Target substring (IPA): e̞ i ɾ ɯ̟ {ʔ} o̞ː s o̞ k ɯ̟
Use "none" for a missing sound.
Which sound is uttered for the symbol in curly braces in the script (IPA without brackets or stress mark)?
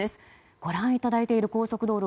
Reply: k